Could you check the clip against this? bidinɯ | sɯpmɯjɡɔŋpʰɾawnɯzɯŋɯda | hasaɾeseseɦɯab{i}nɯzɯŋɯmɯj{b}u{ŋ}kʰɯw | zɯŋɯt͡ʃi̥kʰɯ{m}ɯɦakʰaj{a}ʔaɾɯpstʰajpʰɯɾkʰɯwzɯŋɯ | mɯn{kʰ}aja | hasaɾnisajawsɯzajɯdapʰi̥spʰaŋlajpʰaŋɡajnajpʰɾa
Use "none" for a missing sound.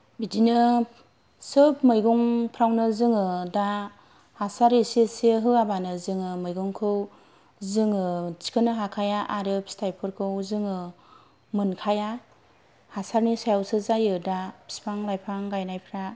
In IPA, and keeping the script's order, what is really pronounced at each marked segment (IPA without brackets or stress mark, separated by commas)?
a, ɡ, ŋ, n, a, kʰ